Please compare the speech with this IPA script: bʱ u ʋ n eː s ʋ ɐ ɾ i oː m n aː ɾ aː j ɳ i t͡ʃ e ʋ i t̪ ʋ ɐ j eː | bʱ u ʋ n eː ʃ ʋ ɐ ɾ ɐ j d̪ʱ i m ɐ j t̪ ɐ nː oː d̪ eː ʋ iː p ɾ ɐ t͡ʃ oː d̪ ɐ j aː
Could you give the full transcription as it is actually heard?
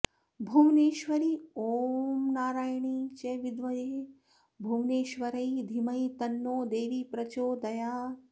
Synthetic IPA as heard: bʱ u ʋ n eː ʃ ʋ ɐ ɾ i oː m n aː ɾ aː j ɳ i t͡ʃ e ʋ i d̪ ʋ ɐ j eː | bʱ u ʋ n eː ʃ ʋ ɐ ɾ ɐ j d̪ʱ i m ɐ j t̪ ɐ nː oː d̪ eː ʋ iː p ɾ ɐ t͡ʃ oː d̪ ɐ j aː